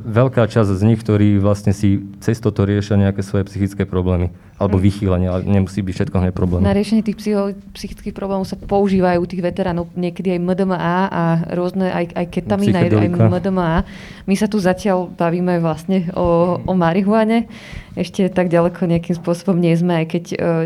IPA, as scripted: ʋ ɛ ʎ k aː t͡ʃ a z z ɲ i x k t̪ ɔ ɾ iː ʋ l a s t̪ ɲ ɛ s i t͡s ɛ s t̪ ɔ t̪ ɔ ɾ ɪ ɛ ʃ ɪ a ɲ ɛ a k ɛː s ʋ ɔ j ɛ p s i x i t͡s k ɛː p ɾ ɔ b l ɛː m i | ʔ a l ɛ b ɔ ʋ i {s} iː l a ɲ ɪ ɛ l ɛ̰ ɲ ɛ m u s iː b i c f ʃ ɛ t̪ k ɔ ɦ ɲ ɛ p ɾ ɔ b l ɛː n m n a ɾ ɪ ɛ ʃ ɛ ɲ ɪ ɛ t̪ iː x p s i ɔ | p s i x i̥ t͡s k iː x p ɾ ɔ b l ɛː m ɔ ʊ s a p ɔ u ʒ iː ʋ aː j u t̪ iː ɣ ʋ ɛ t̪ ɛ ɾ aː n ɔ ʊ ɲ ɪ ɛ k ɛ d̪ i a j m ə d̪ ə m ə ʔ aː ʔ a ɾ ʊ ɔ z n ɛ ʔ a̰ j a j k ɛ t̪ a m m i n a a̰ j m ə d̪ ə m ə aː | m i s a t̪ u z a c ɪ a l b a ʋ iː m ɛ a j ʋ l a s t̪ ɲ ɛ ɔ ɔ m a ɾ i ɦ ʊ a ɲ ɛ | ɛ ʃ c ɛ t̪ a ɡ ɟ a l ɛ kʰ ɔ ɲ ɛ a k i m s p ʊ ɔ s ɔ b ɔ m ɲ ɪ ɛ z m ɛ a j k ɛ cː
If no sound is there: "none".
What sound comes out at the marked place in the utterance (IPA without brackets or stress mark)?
x